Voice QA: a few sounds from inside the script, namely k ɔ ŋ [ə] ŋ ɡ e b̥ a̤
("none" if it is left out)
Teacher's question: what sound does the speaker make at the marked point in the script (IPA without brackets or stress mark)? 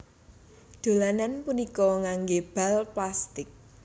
a